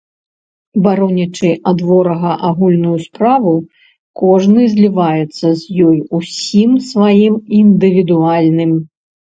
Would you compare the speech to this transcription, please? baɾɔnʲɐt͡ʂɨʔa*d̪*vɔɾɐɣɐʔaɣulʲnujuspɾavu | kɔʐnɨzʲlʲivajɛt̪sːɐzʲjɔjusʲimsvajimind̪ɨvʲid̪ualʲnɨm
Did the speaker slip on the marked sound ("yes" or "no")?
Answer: no